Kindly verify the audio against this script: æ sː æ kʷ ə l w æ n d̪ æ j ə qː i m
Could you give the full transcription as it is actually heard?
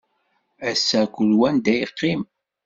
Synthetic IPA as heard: æ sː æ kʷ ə l w æ n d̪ æ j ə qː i m